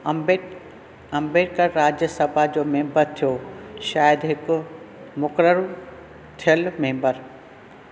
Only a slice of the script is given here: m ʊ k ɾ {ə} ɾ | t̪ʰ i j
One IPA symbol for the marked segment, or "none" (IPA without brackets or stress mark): ə